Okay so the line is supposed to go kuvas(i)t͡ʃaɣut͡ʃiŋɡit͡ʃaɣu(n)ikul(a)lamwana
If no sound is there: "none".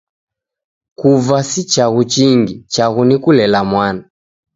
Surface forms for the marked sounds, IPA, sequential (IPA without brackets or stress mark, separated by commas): i, n, ɛ